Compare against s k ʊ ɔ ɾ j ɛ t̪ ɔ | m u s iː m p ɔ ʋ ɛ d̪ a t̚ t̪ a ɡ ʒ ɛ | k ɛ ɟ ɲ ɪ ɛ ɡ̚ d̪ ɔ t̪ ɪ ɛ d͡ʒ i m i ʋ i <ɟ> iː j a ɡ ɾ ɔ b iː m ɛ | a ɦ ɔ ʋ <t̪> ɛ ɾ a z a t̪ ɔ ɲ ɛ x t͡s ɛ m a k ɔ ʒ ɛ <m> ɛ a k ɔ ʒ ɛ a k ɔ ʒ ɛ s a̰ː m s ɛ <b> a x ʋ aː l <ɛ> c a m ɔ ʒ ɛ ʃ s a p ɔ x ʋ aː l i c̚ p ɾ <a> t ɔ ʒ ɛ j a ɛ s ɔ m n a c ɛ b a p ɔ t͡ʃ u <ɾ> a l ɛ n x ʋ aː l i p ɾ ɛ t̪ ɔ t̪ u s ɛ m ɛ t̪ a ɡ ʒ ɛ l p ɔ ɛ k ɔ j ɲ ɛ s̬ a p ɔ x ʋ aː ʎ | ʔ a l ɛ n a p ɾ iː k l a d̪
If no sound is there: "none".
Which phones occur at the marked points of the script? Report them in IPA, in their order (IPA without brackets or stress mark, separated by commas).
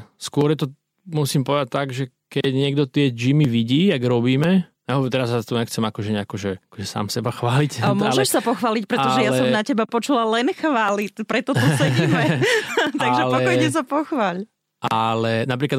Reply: ɟ, t̪, ɲ, b, i, ɛ, l